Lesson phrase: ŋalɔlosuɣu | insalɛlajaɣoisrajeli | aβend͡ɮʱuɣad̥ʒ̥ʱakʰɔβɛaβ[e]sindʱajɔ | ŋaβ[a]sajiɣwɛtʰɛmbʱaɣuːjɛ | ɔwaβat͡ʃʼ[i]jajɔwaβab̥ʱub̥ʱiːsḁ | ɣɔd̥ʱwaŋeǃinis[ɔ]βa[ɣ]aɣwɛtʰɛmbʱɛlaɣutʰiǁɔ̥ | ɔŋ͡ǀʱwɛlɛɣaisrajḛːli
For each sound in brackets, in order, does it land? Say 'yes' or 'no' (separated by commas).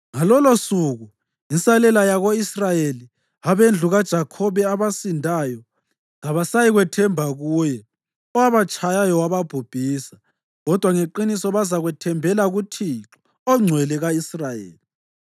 no, yes, no, yes, no